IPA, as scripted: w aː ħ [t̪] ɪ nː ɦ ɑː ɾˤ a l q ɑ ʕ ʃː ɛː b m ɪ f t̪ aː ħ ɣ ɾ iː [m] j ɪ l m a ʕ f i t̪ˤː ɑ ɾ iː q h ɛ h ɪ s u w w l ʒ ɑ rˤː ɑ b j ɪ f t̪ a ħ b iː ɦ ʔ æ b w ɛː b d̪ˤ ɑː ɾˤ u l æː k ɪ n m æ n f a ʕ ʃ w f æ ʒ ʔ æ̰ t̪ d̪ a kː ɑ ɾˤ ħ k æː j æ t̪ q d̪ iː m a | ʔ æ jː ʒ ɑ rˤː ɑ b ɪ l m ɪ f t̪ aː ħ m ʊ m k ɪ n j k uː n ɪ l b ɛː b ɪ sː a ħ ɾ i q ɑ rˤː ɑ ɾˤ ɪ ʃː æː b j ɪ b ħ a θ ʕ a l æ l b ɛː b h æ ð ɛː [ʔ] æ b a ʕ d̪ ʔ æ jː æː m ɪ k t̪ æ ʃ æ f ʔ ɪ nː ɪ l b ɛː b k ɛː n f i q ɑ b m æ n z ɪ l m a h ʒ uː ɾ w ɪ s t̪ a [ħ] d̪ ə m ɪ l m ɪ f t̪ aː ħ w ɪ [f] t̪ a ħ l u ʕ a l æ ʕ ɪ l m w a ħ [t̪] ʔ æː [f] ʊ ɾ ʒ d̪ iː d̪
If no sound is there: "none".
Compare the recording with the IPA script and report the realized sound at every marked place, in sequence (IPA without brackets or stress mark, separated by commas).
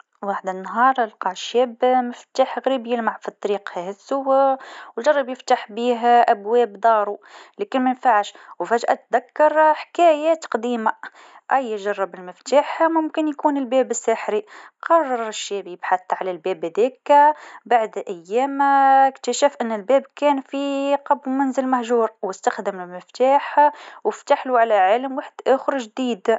d̪, b, k, x, f, d̪, x